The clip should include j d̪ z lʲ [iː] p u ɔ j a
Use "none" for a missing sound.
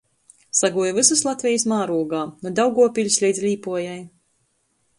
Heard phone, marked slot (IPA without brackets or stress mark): iː